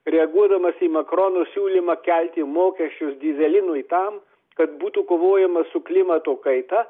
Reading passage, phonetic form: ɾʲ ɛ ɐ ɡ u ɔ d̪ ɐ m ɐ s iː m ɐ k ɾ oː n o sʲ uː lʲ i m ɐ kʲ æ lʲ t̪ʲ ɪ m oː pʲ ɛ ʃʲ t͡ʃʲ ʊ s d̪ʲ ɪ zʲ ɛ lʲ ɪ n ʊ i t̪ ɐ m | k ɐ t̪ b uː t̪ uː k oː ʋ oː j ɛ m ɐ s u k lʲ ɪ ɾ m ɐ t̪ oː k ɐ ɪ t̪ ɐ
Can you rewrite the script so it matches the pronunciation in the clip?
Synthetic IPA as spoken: ɾʲ ɛ ɐ ɡ u ɔ d̪ ɐ m ɐ s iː m ɐ k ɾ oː n o sʲ uː lʲ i m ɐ kʲ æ lʲ t̪ʲ ɪ m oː kʲ ɛ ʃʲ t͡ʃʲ ʊ s d̪ʲ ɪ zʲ ɛ lʲ ɪ n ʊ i t̪ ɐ m | k ɐ t̪ b uː t̪ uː k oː ʋ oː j ɛ m ɐ s ʊ k lʲ ɪ m ɐ t̪ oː k ɐ ɪ t̪ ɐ